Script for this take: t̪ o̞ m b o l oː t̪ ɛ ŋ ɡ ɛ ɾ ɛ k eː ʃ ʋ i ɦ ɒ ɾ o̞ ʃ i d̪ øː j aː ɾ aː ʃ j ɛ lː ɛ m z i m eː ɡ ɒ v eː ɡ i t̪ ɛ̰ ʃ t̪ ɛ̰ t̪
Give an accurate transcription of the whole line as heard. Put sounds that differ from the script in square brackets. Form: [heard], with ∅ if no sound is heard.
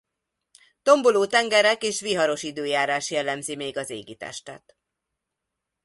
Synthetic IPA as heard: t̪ o̞ m b o l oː t̪ ɛ ŋ ɡ ɛ ɾ ɛ k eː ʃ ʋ i ɦ ɒ ɾ o̞ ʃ i d̪ øː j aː ɾ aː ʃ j ɛ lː ɛ m z i m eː ɡ ɒ [z] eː ɡ i t̪ ɛ̰ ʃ t̪ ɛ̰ t̪